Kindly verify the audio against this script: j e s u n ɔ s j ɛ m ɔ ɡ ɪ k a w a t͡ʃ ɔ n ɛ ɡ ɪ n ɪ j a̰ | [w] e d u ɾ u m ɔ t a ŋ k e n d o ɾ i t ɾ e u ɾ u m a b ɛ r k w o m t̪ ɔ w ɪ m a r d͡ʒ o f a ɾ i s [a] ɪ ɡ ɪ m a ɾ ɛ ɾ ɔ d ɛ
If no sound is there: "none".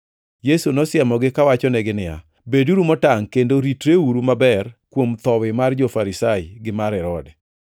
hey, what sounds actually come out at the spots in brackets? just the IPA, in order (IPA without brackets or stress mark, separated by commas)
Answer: b, a